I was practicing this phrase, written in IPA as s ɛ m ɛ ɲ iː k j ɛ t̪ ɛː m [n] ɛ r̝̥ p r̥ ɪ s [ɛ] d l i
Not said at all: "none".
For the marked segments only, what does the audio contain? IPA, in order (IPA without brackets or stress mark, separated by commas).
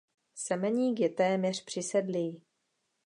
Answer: ɲ, ɛ